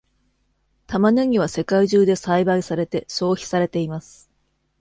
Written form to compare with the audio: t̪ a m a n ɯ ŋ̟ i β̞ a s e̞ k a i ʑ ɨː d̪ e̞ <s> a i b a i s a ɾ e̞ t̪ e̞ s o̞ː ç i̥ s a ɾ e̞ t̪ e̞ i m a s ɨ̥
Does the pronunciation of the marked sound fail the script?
no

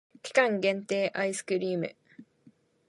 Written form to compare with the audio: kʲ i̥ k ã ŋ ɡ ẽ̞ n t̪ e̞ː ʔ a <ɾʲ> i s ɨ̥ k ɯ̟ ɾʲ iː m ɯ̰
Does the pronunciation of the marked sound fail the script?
yes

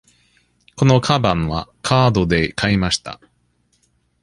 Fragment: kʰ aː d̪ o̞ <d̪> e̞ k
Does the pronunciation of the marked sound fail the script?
no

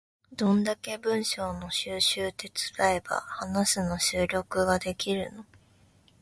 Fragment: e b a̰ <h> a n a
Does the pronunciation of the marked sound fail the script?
no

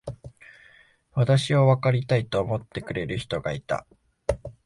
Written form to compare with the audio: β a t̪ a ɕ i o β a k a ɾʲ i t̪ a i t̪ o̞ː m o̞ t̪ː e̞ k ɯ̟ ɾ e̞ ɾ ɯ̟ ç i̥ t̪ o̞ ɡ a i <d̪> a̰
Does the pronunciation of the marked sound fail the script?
yes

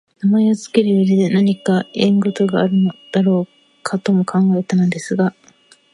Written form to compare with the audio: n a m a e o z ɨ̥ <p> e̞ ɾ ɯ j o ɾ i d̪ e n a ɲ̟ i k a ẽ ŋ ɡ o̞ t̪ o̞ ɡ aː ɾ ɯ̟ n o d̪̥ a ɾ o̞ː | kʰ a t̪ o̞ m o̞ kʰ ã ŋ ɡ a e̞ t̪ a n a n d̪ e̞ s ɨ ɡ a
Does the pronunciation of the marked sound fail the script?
yes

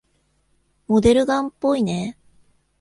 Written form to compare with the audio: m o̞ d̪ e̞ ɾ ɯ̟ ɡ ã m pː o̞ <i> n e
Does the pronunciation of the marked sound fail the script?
no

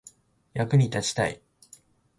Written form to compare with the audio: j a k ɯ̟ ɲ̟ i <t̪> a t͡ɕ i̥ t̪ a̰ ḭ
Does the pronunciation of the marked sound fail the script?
no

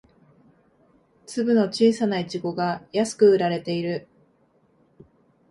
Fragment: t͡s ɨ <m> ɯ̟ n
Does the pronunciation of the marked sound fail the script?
yes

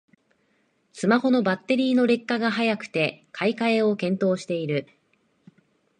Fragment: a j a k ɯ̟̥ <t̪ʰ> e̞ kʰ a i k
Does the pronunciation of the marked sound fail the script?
yes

